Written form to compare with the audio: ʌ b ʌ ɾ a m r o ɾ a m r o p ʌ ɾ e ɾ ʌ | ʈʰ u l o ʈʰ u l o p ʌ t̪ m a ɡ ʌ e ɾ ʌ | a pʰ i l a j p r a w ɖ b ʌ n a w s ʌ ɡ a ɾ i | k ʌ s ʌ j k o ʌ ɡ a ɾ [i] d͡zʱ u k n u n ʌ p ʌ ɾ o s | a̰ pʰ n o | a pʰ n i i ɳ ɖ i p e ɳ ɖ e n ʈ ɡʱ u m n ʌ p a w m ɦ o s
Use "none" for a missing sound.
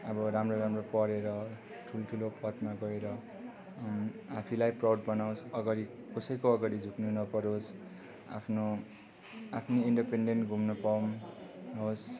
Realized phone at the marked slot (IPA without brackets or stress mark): i